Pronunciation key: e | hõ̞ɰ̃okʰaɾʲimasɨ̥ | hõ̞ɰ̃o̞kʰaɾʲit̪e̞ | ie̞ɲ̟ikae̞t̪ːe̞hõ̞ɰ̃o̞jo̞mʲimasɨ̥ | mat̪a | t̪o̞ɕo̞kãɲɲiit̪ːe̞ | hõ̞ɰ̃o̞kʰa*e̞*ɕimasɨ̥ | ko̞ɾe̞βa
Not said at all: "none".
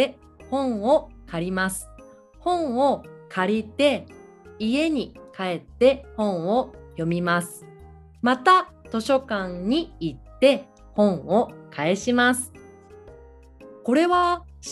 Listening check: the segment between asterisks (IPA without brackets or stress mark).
e̞